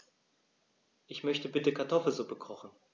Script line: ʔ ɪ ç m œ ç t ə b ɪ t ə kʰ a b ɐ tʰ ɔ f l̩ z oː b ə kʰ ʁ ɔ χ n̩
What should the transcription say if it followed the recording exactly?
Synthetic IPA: ʔ ɪ ç m œ ç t ə b ɪ t ə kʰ a ɐ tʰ ɔ f l̩ z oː b ə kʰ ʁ ɔ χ n̩